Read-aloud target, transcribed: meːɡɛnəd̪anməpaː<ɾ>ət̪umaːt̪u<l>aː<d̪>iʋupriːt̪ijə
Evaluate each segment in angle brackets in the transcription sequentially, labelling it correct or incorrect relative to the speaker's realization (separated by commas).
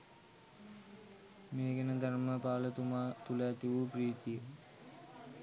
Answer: incorrect, correct, incorrect